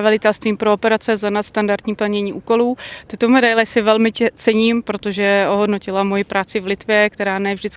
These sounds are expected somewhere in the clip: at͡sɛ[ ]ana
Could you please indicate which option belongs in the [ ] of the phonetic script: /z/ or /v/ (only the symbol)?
z